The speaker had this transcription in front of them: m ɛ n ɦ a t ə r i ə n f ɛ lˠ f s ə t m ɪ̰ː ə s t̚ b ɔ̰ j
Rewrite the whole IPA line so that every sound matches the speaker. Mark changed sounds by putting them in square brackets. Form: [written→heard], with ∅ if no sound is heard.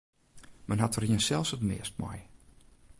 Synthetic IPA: m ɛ n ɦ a t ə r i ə n [f→s] ɛ lˠ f s ə t m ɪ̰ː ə s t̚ [b→m] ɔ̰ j